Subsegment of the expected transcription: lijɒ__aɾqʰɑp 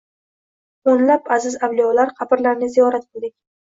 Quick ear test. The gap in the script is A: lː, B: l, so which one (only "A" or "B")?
B